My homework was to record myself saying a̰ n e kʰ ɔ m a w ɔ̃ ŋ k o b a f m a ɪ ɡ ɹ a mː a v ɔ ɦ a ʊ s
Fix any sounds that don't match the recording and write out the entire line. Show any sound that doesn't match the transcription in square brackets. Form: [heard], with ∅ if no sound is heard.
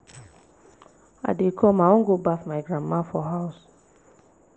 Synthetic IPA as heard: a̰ [d] e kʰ ɔ m a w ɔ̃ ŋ [ɡ] o b a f m a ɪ ɡ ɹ a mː a [f] ɔ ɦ a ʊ s